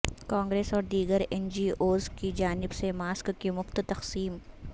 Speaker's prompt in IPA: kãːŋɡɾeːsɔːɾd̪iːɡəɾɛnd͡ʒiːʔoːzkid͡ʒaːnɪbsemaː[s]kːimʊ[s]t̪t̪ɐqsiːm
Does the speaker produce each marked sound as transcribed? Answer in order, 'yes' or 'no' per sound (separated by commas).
yes, no